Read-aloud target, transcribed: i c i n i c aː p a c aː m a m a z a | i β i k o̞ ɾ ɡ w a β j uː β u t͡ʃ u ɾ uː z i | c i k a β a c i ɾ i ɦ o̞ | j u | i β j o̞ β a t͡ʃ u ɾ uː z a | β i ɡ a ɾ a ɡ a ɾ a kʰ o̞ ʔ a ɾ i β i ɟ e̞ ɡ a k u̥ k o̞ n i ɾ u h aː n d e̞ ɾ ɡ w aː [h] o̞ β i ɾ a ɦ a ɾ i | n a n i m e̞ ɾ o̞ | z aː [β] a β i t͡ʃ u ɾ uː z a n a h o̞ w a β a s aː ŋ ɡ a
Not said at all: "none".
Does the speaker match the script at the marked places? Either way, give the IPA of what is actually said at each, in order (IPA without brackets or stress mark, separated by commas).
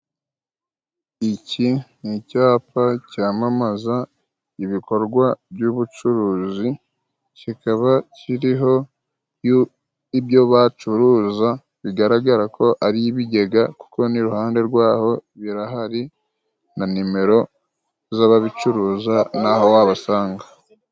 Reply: h, β